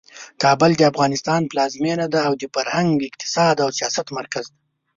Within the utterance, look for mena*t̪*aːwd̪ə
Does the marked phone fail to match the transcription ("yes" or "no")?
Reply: yes